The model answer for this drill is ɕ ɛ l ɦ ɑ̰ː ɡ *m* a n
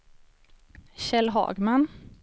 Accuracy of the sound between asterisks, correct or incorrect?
correct